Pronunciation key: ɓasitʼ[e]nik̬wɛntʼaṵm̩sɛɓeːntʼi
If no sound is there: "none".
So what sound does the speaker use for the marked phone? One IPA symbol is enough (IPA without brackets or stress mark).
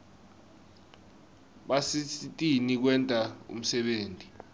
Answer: i